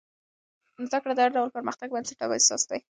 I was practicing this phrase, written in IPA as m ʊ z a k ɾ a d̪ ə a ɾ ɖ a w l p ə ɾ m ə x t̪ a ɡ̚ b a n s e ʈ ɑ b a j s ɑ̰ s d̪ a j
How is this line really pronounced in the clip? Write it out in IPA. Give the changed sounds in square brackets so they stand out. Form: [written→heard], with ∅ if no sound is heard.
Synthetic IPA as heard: [m→n] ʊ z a k [ɾ→ɽ] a d̪ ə a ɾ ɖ a w l p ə ɾ m ə x t̪ a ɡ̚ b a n s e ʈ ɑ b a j s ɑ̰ s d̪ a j